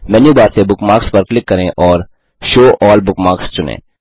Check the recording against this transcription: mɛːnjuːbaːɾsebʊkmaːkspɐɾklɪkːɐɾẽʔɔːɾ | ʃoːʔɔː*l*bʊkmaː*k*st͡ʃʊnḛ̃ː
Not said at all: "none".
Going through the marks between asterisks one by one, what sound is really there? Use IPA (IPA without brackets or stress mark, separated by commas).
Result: l, k